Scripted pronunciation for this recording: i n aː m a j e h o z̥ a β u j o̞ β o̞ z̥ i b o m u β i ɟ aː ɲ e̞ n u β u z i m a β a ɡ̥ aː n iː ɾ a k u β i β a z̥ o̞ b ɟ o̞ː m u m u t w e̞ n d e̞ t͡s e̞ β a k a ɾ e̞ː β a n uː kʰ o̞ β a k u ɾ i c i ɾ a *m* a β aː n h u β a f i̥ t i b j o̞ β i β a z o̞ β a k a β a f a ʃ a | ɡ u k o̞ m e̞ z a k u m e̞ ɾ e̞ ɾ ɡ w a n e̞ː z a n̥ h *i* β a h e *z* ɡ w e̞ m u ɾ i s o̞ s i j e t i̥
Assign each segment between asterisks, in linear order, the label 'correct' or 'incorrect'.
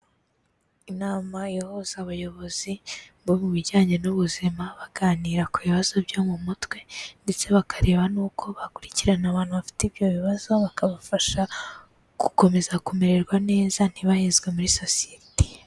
incorrect, correct, correct

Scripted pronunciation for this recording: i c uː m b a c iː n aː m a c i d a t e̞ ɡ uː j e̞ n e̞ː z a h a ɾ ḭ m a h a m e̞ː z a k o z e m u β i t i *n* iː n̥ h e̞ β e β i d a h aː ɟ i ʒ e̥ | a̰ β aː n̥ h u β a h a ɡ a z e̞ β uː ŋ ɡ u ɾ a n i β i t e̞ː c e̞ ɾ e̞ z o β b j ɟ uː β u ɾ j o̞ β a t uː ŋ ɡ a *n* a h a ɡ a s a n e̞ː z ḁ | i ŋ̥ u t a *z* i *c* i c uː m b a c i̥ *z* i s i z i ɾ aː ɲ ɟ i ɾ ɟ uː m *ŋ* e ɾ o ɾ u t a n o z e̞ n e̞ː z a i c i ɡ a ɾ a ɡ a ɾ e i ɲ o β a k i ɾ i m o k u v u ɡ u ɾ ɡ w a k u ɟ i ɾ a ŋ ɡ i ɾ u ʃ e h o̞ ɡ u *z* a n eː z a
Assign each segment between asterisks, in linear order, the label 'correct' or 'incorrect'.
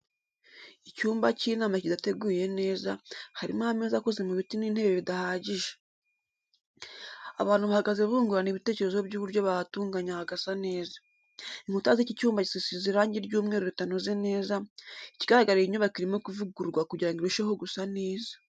correct, incorrect, correct, correct, incorrect, correct, incorrect

